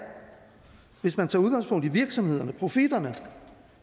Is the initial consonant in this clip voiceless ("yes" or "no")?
no